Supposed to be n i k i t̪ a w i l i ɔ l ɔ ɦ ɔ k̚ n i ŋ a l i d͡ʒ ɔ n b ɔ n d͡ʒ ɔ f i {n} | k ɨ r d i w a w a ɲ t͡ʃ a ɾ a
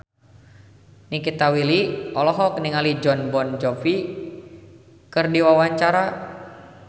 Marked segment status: incorrect: none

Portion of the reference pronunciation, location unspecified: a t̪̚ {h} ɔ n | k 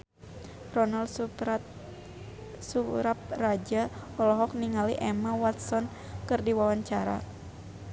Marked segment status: incorrect: s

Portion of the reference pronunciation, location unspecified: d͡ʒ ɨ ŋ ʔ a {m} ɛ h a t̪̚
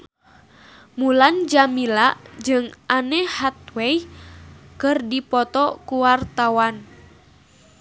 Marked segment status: incorrect: n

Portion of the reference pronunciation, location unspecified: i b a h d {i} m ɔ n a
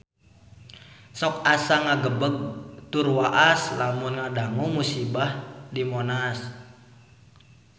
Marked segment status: correct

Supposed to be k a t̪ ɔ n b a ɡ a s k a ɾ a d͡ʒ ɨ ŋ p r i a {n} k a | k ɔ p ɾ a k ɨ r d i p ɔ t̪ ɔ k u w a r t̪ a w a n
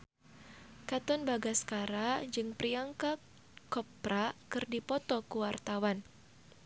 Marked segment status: incorrect: ŋ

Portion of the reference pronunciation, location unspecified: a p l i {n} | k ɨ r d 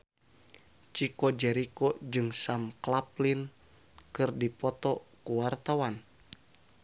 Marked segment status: correct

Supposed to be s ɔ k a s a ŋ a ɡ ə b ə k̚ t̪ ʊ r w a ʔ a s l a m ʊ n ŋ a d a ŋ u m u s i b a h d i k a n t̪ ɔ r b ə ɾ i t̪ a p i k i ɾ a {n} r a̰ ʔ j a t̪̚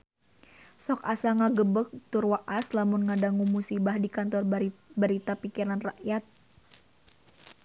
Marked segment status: correct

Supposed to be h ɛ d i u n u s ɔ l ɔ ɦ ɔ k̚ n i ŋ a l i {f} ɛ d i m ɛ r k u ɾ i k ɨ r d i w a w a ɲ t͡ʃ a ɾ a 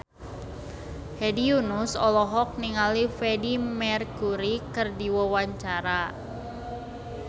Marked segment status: correct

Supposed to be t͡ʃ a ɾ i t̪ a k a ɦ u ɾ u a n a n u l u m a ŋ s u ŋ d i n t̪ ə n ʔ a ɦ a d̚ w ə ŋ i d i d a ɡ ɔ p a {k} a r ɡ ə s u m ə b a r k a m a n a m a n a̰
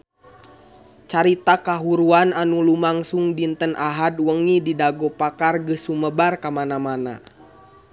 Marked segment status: correct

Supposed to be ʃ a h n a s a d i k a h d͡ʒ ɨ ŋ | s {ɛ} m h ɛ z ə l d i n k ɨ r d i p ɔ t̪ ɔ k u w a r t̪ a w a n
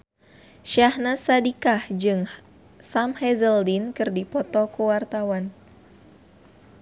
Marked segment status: incorrect: a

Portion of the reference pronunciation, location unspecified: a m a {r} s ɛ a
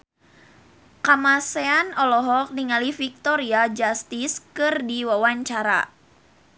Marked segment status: incorrect: none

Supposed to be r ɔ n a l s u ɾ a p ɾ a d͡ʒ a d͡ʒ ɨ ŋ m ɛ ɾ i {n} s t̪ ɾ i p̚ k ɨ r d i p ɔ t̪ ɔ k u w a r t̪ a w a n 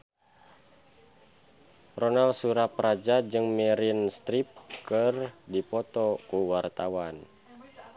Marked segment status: correct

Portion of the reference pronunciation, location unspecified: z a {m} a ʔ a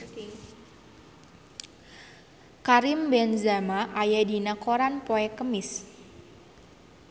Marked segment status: correct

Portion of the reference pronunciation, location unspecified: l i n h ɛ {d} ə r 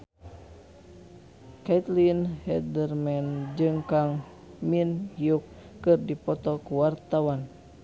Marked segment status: correct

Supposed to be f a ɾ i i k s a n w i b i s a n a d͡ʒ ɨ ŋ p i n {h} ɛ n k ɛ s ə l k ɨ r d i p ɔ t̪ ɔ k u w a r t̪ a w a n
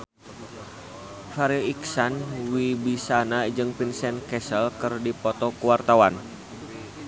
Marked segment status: incorrect: s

